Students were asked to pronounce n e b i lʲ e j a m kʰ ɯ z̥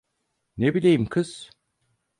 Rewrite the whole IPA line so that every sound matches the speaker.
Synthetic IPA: n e b i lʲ e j i m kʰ ɯ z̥